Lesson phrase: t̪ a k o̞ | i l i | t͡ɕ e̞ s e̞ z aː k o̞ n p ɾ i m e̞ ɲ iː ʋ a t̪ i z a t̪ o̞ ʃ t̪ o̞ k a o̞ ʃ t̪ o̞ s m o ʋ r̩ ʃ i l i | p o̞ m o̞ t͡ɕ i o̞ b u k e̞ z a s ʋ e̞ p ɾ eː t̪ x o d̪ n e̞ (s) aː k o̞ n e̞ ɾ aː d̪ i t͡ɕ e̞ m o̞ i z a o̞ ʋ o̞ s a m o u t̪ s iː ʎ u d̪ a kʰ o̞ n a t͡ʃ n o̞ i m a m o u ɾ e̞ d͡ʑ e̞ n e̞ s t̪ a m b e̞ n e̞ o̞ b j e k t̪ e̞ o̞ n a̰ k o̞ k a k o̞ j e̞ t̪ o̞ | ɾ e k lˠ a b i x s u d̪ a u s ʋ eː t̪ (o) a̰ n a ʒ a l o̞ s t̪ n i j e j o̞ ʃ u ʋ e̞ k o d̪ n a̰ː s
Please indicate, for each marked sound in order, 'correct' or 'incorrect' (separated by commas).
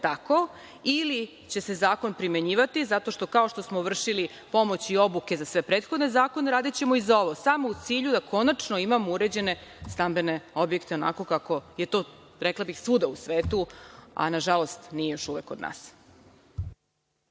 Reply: incorrect, incorrect